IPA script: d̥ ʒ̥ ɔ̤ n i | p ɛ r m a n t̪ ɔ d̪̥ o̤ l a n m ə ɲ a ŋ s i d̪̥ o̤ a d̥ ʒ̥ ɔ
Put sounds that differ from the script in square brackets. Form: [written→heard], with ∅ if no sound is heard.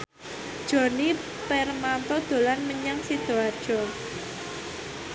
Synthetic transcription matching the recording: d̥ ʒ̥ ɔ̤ n i | p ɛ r m a n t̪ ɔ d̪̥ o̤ l a n m ə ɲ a ŋ s i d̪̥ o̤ a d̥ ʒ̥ ɔ